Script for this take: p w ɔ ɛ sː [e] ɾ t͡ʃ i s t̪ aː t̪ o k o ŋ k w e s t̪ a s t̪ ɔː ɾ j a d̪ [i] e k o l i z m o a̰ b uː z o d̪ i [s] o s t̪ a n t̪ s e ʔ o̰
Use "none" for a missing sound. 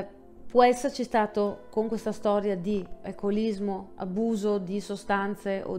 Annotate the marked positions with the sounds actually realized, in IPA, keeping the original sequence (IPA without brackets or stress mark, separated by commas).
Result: e, i, s